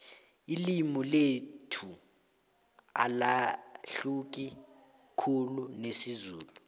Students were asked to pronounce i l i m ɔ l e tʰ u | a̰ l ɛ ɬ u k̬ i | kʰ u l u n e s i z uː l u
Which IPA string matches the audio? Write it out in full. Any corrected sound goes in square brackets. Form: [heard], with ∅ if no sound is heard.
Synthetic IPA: i l i m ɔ l e tʰ u | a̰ l [a] ɬ u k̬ i | kʰ u l u n e s i z uː l u